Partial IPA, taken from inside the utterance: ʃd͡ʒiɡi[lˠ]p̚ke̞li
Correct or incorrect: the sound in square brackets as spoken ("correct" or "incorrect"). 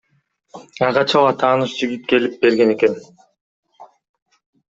incorrect